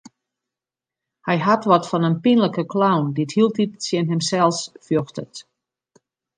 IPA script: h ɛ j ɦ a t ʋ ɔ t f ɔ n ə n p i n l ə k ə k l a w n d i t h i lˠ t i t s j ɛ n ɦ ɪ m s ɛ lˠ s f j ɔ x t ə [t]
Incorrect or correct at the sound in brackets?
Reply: correct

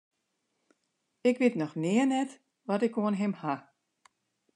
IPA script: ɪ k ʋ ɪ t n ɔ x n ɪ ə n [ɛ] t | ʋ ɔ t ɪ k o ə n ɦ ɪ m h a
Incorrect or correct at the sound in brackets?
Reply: correct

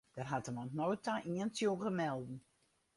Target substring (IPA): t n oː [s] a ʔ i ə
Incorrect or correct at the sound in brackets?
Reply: incorrect: t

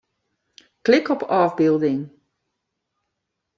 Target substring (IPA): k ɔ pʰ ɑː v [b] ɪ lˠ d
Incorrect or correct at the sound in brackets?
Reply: correct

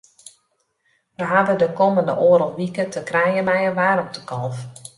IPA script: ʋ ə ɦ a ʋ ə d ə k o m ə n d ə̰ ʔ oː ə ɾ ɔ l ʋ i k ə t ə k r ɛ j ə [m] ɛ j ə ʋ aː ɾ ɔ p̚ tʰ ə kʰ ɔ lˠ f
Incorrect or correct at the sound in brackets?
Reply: correct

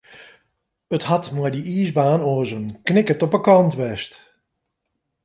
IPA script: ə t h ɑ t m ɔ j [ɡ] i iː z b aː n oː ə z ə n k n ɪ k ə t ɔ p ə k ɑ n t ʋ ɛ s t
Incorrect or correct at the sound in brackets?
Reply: incorrect: d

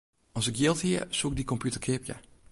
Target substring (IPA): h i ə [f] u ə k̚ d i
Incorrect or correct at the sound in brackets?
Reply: incorrect: s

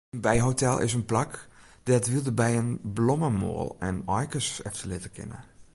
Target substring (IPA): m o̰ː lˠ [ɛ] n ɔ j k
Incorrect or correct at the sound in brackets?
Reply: correct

